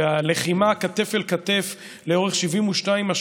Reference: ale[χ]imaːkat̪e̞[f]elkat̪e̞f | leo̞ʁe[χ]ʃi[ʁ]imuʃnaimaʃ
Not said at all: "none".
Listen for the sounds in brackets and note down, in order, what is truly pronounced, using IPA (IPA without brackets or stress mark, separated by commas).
χ, f, χ, v